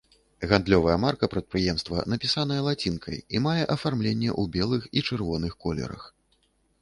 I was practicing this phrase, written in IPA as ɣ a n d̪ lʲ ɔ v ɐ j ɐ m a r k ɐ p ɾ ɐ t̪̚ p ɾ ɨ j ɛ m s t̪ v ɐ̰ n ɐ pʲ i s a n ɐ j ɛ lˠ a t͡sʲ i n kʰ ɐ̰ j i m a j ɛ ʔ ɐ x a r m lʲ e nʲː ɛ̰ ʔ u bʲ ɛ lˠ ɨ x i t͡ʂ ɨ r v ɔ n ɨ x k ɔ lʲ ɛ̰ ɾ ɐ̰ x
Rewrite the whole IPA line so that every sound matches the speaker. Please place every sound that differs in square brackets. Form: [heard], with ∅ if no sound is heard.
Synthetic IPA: ɣ a n d̪ lʲ ɔ v ɐ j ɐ m a r k ɐ p ɾ ɐ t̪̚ p ɾ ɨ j ɛ m s t̪ v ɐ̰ n ɐ pʲ i s a n ɐ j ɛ lˠ a t͡sʲ i n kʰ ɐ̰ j i m a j ɛ ʔ ɐ [f] a r m lʲ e nʲː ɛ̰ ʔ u bʲ ɛ lˠ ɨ x i t͡ʂ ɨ r v ɔ n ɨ x k ɔ lʲ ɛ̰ ɾ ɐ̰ x

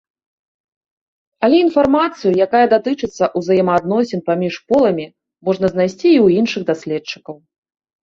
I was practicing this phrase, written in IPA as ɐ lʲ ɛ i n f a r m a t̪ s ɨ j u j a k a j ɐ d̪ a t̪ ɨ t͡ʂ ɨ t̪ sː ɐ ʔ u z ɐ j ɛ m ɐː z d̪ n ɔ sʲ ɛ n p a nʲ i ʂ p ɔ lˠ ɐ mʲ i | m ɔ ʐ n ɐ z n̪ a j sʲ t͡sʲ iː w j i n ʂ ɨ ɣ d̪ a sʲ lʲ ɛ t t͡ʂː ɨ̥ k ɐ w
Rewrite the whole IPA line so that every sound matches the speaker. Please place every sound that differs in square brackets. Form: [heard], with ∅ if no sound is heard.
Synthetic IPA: ɐ lʲ ɛ i n f a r m a t̪ s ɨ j u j a k a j ɐ d̪ a t̪ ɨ t͡ʂ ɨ t̪ sː ɐ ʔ u z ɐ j ɛ m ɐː [∅] d̪ n ɔ sʲ ɛ n p a [mʲ] i ʂ p ɔ lˠ ɐ mʲ i | m ɔ ʐ n ɐ z n̪ a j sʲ t͡sʲ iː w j i n ʂ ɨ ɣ d̪ a sʲ lʲ ɛ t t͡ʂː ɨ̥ k ɐ w

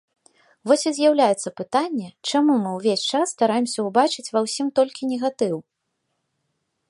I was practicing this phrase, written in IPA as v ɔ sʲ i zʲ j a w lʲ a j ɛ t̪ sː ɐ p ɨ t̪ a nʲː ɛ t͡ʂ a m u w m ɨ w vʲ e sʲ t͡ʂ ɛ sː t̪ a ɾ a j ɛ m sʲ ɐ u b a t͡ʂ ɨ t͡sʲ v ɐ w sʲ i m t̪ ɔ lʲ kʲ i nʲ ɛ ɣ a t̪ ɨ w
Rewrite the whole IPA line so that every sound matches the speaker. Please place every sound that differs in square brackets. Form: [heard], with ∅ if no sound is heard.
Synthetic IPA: v ɔ sʲ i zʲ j a w lʲ a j ɛ t̪ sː ɐ p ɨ t̪ a nʲː ɛ t͡ʂ a m u [∅] m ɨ w vʲ e sʲ t͡ʂ [a] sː t̪ a ɾ a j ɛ m sʲ ɐ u b a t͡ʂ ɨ t͡sʲ v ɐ w sʲ i m t̪ ɔ lʲ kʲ i nʲ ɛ ɣ a t̪ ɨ w

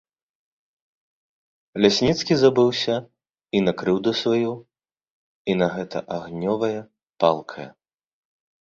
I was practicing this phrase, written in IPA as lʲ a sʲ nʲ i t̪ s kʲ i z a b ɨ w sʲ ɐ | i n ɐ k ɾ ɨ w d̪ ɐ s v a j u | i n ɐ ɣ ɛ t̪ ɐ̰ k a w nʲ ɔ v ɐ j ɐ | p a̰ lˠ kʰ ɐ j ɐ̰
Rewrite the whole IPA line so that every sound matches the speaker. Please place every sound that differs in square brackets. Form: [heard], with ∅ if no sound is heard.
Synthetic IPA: lʲ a sʲ nʲ i t̪ s kʲ i z a b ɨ w sʲ ɐ | i n ɐ k ɾ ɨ w d̪ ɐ s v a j u | i n ɐ ɣ ɛ t̪ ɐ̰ [ʔ] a [ɣ] nʲ ɔ v ɐ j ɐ | p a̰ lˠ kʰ ɐ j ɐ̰

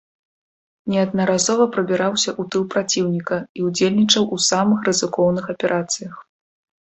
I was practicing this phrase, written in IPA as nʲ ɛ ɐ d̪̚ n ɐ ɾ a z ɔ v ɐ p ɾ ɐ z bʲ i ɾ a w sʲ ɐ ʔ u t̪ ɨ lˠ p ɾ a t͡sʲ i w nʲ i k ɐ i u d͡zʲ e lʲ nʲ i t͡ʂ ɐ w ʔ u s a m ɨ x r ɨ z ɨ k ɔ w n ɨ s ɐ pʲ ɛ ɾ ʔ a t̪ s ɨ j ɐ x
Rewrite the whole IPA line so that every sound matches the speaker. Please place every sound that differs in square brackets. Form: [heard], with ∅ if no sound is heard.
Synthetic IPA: nʲ ɛ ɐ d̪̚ n ɐ ɾ a z ɔ v ɐ p ɾ ɐ [∅] bʲ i ɾ a w sʲ ɐ ʔ u t̪ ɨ lˠ p ɾ a t͡sʲ i w nʲ i k ɐ i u d͡zʲ e lʲ nʲ i t͡ʂ ɐ w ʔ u s a m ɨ x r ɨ z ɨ k ɔ w n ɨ [x] ɐ pʲ ɛ ɾ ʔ a t̪ s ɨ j ɐ x

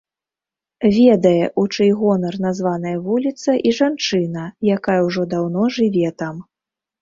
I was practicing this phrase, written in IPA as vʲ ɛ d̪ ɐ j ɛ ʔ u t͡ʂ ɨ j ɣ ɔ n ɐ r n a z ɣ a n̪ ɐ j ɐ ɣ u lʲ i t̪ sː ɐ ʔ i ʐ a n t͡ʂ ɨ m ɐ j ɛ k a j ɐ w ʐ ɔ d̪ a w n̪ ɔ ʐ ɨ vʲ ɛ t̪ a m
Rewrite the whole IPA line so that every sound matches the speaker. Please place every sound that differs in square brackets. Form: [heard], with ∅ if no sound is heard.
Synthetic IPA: vʲ ɛ d̪ ɐ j ɛ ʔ u t͡ʂ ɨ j ɣ ɔ n ɐ r n a z [v] a n̪ ɐ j ɐ [v] u lʲ i t̪ [s] ɐ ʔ i ʐ a n t͡ʂ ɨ [n] ɐ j [a] k a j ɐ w ʐ ɔ d̪ a w n̪ ɔ ʐ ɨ vʲ ɛ t̪ a m

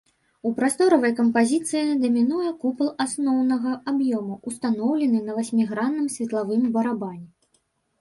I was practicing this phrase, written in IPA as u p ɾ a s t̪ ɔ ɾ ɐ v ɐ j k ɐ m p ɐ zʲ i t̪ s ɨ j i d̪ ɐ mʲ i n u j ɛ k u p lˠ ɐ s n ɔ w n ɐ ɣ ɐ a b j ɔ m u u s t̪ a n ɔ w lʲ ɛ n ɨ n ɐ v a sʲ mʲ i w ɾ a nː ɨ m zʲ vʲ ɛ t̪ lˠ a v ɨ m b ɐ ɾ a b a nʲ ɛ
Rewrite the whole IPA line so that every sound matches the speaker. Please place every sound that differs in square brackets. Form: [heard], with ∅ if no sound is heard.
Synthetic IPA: u p ɾ a s t̪ ɔ ɾ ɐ v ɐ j k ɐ m p [a] zʲ i t̪ s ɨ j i d̪ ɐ mʲ i n u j ɛ k u p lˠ [a] s n ɔ w n ɐ ɣ ɐ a b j ɔ m u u s t̪ a n ɔ w lʲ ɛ n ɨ n ɐ v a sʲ mʲ i [ɣ] ɾ a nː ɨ m [sʲ] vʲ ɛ t̪ lˠ a v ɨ m b ɐ ɾ a b a nʲ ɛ

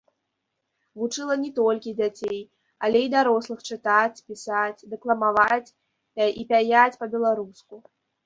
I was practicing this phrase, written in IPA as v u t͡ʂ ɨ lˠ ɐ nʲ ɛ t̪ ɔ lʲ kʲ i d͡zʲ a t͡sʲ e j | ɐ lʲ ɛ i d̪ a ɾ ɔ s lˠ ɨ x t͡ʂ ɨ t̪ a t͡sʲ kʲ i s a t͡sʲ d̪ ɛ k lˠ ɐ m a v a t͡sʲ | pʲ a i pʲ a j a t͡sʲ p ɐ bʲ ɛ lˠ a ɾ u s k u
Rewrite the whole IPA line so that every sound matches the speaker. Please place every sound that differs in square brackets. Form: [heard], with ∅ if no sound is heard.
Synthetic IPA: v u t͡ʂ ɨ lˠ ɐ nʲ ɛ t̪ ɔ lʲ kʲ i d͡zʲ a t͡sʲ e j | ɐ lʲ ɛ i d̪ a ɾ ɔ s lˠ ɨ x t͡ʂ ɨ t̪ a t͡sʲ [pʲ] i s a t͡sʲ d̪ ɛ k lˠ ɐ m a v a t͡sʲ | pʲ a i pʲ a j a t͡sʲ p ɐ bʲ ɛ lˠ a ɾ u s k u

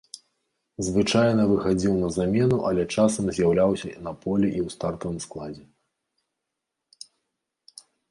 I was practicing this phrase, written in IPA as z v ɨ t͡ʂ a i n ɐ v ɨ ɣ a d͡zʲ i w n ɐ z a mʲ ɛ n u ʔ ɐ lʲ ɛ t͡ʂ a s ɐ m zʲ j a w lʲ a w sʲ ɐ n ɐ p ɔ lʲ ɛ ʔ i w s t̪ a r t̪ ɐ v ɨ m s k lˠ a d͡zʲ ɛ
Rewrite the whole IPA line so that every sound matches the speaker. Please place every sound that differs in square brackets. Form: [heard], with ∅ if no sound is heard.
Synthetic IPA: z v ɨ t͡ʂ a [j] n ɐ v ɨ [x] a d͡zʲ i w n ɐ z a mʲ ɛ n u ʔ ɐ lʲ ɛ t͡ʂ a s ɐ m zʲ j a w lʲ a w sʲ ɐ n ɐ p ɔ lʲ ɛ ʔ i w s t̪ a r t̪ ɐ v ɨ m s k lˠ a d͡zʲ ɛ

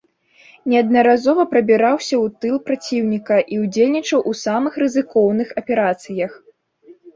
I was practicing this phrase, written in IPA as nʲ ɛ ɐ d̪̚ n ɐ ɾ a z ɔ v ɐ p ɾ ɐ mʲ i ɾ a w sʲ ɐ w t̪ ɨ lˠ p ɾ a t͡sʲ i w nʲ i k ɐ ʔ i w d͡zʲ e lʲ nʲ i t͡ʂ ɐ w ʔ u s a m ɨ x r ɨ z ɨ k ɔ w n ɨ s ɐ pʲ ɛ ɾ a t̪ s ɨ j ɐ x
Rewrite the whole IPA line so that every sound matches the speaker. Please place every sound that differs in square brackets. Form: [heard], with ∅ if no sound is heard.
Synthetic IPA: nʲ ɛ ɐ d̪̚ n ɐ ɾ a z ɔ v ɐ p ɾ ɐ [bʲ] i ɾ a w sʲ ɐ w t̪ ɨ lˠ p ɾ a t͡sʲ i w nʲ i k ɐ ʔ i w d͡zʲ e lʲ nʲ i t͡ʂ ɐ w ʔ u s a m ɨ x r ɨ z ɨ k ɔ w n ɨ [x] ɐ pʲ ɛ ɾ a t̪ s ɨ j ɐ x

